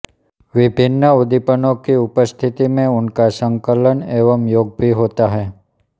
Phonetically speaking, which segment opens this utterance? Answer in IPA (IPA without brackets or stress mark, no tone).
ʋ